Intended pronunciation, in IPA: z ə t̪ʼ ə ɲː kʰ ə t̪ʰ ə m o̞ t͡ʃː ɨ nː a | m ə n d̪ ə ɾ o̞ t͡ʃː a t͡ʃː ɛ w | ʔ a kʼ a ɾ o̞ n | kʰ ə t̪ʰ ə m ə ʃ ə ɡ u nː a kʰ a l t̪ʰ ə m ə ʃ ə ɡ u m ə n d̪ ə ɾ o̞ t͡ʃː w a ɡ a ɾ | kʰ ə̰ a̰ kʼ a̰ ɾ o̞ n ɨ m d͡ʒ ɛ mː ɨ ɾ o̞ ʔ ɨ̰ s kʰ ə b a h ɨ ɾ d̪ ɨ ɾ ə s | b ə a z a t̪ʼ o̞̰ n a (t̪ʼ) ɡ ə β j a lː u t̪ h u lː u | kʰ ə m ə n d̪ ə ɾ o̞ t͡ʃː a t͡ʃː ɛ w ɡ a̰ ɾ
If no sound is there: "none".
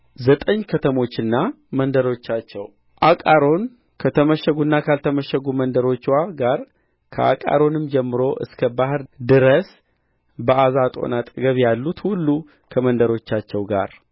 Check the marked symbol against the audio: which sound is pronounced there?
t̪ʼ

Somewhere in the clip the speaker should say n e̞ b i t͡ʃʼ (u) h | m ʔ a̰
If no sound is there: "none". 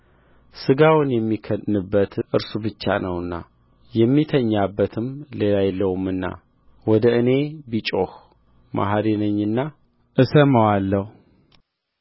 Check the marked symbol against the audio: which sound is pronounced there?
o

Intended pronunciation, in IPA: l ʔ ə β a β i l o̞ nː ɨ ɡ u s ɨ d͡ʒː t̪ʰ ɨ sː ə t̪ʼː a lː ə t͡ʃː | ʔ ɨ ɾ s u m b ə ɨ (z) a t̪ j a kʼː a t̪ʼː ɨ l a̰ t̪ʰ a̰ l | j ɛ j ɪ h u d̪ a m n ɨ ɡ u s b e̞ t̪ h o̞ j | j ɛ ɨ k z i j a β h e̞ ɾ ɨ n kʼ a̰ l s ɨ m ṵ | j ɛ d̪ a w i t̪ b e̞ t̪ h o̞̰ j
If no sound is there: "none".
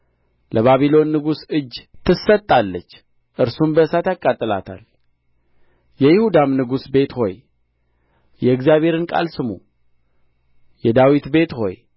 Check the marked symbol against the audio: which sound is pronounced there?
s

